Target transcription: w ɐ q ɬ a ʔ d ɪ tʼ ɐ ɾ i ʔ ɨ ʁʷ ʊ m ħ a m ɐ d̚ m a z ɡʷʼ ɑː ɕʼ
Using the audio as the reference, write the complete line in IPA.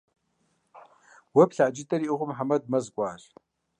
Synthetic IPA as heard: w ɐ p ɬ a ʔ d͡ʒ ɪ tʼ ɐ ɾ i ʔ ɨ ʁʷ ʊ m ħ a m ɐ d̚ m ɐ z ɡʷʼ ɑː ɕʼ